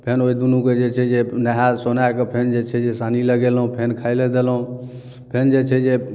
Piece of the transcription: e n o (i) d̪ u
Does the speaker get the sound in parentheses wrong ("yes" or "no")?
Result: no